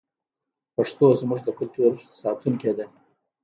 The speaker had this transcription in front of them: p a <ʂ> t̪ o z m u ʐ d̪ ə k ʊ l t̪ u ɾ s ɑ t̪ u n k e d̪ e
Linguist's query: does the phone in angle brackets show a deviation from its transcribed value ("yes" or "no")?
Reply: no